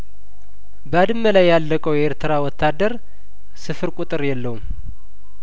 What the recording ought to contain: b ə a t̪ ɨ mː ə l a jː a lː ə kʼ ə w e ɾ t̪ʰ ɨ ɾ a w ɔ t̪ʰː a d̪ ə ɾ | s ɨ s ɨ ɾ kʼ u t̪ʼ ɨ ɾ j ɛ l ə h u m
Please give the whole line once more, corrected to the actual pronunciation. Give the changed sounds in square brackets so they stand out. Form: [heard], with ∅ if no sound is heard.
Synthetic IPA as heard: b ə a [d̪] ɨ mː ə l a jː a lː ə kʼ ə w e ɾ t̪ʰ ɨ ɾ a w ɔ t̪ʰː a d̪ ə ɾ | s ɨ [f] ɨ ɾ kʼ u t̪ʼ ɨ ɾ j ɛ [lː] ə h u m